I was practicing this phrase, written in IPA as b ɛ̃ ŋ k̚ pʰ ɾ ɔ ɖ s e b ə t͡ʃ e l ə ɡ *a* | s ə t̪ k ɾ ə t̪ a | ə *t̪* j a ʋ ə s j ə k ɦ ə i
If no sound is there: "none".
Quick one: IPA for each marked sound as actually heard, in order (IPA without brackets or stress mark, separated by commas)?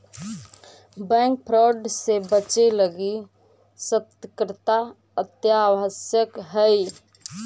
i, t̪